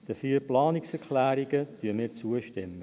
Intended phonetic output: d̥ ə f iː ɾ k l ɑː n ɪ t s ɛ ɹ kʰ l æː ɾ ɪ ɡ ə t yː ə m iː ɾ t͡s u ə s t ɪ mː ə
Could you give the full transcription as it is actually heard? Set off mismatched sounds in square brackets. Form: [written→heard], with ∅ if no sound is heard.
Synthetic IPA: d̥ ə f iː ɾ [k→p] l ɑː n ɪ [t→k] s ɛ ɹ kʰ l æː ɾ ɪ ɡ ə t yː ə m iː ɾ t͡s u ə [s→ʃ] t ɪ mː ə